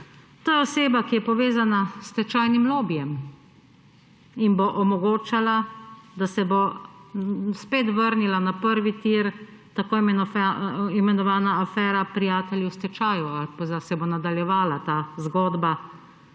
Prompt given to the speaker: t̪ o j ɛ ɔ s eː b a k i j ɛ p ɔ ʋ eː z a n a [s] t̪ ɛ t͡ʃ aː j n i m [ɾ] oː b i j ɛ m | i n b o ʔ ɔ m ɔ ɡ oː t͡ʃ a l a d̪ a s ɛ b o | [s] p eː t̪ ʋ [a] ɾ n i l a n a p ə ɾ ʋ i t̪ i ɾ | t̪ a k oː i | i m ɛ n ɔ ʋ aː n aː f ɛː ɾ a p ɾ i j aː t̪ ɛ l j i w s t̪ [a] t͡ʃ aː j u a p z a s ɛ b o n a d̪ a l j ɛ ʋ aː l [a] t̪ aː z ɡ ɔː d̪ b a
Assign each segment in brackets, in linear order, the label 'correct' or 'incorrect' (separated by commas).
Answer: correct, incorrect, correct, incorrect, incorrect, correct